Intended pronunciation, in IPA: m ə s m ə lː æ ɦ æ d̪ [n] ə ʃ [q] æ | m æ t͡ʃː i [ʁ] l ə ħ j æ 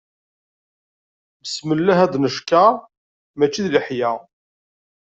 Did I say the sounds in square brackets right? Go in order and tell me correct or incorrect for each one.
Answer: correct, incorrect: k, incorrect: ð

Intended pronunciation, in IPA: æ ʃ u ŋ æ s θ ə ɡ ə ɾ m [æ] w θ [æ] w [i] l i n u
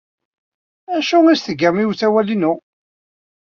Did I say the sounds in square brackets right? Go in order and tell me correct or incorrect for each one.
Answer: incorrect: i, correct, incorrect: æ

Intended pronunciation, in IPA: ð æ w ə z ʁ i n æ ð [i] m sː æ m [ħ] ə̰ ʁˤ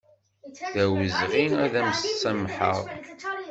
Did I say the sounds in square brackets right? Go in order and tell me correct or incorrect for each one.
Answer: incorrect: æ, correct

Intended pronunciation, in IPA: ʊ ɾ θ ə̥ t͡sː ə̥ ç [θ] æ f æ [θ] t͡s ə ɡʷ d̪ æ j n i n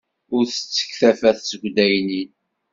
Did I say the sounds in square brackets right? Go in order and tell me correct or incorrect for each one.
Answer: correct, correct

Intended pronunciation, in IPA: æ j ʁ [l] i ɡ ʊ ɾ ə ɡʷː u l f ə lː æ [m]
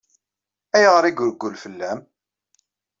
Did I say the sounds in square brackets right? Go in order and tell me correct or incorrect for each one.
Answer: incorrect: ɾ, correct

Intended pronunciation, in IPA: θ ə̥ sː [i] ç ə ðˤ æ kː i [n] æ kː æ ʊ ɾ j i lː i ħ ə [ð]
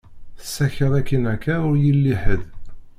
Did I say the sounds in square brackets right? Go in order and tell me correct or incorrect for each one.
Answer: incorrect: æ, correct, correct

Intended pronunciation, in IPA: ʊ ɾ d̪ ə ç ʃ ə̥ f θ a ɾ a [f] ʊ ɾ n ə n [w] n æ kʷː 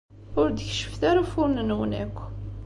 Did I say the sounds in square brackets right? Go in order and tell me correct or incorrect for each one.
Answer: correct, correct

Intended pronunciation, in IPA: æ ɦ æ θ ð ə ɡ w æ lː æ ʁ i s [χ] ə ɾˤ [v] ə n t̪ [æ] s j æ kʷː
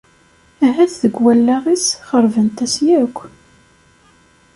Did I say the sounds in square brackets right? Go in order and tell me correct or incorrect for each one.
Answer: correct, correct, correct

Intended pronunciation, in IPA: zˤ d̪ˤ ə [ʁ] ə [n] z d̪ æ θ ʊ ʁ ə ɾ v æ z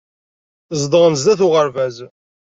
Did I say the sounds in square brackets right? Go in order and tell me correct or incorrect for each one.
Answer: correct, correct

